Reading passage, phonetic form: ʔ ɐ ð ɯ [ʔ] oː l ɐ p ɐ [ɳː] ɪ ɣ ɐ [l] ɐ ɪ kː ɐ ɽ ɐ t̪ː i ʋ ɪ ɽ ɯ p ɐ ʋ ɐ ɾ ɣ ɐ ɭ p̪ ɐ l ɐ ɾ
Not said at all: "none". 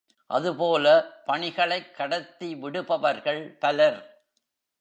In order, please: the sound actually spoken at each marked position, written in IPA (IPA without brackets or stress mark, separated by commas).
p, ɳ, ɭ